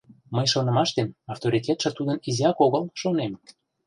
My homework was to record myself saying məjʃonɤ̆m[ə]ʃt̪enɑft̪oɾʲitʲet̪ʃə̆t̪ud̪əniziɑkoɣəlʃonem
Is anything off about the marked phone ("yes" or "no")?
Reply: yes